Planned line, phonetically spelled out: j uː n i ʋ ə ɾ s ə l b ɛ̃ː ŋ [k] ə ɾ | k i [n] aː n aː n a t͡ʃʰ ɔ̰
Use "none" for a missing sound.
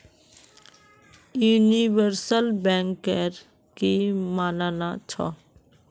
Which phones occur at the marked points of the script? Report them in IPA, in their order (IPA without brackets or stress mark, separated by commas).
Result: k, m